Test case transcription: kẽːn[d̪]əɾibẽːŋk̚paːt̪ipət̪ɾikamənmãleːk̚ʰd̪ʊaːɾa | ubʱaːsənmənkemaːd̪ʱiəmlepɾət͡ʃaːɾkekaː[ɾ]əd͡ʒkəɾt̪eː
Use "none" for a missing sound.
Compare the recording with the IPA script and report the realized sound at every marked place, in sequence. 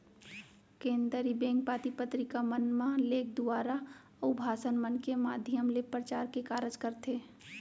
d̪, ɾ

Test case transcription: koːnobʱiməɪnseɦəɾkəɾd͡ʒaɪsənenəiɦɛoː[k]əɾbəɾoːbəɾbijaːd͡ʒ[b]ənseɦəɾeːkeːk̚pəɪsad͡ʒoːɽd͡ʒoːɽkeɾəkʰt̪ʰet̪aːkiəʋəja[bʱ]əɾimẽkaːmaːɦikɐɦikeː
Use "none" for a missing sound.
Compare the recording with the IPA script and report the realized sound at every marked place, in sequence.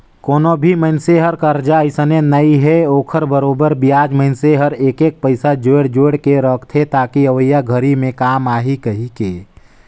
kʰ, m, ɡʱ

